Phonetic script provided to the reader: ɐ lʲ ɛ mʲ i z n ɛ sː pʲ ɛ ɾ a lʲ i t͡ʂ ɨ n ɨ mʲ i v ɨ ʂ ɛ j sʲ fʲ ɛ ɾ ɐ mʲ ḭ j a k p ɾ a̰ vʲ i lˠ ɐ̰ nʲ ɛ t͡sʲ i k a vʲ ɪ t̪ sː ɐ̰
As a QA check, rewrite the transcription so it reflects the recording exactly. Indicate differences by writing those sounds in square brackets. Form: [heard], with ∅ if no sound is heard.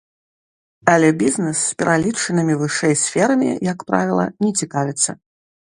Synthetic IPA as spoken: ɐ lʲ ɛ [bʲ] i z n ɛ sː pʲ ɛ ɾ a lʲ i t͡ʂ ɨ n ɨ mʲ i v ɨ ʂ ɛ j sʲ fʲ ɛ ɾ ɐ mʲ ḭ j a k p ɾ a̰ vʲ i lˠ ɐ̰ nʲ ɛ t͡sʲ i k a vʲ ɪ t̪ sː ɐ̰